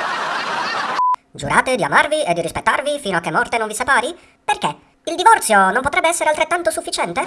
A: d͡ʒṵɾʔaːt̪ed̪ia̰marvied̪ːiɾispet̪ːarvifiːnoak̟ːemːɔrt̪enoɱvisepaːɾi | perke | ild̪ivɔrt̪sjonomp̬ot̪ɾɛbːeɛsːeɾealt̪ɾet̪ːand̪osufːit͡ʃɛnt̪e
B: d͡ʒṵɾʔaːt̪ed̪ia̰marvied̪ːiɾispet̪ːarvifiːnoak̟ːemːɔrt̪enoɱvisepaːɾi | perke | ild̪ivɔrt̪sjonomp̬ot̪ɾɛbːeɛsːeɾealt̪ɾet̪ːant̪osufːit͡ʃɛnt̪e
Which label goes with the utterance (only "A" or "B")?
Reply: B